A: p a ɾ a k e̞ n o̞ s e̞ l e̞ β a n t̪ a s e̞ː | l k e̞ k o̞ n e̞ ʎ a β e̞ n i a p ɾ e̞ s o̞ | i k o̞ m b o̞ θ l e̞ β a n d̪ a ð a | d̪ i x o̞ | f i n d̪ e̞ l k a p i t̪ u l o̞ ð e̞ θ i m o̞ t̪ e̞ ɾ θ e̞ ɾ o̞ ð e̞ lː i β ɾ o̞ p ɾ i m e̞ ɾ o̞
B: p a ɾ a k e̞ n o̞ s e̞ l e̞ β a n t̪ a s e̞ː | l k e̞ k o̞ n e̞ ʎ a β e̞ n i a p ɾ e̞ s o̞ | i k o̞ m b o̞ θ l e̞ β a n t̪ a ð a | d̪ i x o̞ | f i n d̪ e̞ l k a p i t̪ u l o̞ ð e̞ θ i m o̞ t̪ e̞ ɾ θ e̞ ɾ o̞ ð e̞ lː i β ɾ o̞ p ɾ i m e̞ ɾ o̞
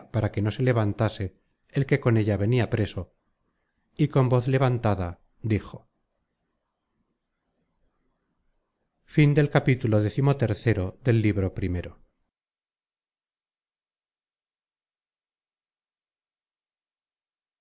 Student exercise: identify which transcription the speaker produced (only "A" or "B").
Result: B